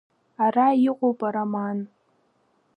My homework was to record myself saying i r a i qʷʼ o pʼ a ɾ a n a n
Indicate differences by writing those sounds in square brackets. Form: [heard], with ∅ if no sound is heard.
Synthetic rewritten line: [a] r a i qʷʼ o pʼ a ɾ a [m] a n